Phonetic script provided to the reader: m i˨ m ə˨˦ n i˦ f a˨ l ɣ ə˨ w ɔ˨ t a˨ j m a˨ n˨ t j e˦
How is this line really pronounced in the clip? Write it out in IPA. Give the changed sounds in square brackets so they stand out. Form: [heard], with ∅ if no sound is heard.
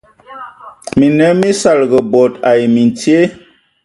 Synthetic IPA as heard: m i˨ [n] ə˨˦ [m] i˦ [s] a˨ l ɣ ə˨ [b] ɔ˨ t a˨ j m [i˨] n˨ t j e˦

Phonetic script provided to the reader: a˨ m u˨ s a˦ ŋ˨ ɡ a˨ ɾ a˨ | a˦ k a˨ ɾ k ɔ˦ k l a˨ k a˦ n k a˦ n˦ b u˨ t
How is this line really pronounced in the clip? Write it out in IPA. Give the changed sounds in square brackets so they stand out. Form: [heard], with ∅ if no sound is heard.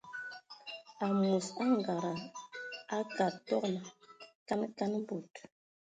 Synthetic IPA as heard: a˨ m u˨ s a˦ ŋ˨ ɡ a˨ ɾ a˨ | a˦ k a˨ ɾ [t] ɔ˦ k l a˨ k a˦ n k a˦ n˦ b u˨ t

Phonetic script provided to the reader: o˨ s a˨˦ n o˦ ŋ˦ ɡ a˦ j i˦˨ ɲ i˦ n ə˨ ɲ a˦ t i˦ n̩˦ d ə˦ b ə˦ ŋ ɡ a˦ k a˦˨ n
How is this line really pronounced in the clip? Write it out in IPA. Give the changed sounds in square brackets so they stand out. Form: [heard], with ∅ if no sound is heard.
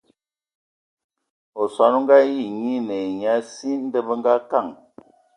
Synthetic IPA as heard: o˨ s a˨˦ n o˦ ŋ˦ ɡ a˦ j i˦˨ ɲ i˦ n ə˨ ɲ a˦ [s] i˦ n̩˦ d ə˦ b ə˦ ŋ ɡ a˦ k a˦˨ [ŋ]

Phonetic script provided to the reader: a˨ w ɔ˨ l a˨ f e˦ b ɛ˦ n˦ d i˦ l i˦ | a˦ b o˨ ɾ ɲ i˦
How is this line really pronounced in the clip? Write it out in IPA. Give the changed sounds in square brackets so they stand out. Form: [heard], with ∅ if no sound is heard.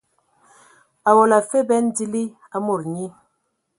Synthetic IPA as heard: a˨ w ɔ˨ l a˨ f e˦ b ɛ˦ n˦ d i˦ l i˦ | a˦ [m] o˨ ɾ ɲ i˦

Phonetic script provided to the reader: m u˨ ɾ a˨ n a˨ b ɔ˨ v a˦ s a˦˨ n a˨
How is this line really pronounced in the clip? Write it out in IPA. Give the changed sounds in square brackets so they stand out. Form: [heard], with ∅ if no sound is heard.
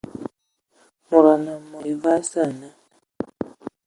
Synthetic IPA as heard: m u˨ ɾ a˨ n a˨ [m] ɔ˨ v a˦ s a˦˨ n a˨

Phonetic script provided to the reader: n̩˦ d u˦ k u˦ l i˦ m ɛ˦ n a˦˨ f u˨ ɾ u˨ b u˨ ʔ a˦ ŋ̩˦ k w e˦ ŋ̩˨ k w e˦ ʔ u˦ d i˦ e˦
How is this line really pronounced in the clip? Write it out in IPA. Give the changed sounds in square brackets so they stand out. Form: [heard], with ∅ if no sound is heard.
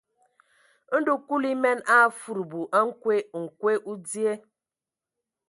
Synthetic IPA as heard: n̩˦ d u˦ k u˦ l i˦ m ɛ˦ n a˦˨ f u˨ ɾ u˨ b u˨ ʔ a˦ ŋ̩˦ k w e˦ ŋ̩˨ k w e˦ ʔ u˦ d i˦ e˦

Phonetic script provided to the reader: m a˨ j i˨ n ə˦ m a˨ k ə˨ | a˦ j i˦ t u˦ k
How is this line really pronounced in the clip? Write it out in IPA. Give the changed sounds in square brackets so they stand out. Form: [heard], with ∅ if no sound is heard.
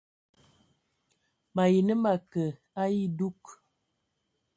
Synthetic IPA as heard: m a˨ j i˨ n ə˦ m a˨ k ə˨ | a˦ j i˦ [d] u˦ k

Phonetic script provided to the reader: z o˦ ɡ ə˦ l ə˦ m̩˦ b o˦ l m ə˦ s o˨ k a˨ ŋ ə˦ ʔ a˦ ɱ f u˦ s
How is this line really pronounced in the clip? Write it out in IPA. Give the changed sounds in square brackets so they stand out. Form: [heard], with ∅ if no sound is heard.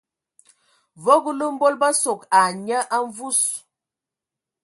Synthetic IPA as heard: [v] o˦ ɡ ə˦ l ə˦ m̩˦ b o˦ l [b] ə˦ s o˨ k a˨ [ɲ] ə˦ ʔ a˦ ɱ [v] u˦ s

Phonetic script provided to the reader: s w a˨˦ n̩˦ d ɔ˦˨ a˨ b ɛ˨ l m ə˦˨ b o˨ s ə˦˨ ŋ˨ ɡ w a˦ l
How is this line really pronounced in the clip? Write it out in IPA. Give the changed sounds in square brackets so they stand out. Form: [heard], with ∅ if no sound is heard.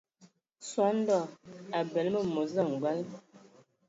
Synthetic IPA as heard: s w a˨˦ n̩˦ d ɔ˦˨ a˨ b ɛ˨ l m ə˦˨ [m] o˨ [z] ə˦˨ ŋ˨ ɡ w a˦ l

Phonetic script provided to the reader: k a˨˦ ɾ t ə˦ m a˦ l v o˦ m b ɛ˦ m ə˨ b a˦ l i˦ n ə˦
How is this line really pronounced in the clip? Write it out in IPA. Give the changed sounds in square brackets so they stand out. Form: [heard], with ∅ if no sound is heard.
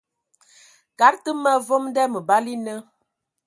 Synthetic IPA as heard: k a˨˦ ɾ t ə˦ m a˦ [∅] v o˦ m [d] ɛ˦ m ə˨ b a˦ l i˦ n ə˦

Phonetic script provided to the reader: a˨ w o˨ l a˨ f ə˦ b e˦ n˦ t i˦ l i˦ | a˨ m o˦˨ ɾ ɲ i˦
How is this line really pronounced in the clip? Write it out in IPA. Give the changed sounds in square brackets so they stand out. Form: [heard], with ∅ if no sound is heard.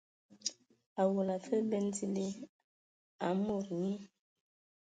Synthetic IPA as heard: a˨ w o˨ l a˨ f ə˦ b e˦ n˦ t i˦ l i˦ | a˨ m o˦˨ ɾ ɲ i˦

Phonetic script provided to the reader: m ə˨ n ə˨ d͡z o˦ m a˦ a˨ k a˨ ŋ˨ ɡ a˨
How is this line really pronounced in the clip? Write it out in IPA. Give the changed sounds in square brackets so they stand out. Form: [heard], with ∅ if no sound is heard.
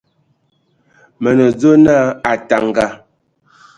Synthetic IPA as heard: m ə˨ n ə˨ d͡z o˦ [n] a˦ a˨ [t] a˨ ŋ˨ ɡ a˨

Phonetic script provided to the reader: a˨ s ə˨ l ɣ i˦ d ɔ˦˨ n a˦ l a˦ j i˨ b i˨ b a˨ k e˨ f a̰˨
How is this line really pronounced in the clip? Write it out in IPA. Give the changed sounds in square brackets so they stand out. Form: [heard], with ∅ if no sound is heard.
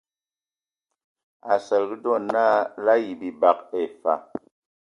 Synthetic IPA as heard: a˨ s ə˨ l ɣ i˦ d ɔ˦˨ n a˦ l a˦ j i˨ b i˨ b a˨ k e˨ f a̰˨

